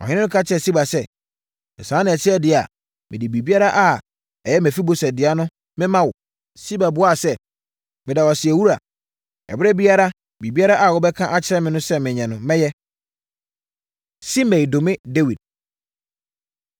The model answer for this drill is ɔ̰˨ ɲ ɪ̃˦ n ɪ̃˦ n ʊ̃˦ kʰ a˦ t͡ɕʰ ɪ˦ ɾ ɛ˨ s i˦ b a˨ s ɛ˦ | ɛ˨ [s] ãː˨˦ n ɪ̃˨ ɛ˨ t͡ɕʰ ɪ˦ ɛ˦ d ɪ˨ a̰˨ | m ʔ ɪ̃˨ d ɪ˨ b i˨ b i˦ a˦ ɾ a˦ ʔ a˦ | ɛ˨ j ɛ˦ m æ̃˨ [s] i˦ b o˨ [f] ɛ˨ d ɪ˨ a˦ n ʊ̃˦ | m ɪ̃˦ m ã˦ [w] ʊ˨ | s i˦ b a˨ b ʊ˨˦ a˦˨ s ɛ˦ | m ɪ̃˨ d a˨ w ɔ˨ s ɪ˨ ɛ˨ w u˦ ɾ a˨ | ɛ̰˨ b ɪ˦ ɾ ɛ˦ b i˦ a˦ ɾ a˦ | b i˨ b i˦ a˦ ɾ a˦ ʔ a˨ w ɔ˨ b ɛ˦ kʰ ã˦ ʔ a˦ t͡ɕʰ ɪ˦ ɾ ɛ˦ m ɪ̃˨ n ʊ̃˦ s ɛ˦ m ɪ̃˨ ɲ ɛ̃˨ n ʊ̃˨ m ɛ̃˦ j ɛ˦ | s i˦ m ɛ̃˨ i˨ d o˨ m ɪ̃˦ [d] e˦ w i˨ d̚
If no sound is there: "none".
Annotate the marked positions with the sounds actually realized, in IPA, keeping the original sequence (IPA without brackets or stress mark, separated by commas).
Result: s, f, s, w, d